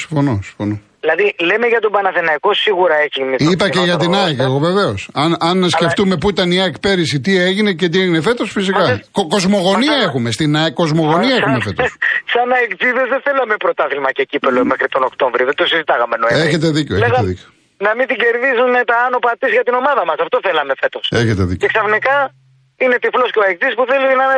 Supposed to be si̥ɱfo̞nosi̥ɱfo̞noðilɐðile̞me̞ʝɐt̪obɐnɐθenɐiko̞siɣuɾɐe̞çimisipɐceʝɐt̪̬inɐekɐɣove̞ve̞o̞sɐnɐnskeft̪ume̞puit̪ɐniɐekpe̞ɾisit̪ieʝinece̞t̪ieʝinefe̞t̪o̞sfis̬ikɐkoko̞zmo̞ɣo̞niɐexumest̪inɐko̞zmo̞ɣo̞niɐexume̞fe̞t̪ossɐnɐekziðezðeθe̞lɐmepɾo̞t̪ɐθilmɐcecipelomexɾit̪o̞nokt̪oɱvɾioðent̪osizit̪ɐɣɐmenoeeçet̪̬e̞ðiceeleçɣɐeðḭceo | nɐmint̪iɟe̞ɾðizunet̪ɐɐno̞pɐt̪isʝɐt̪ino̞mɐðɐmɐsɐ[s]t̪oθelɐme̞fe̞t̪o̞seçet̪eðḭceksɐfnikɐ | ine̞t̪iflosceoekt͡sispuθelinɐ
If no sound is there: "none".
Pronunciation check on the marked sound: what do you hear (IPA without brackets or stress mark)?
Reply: f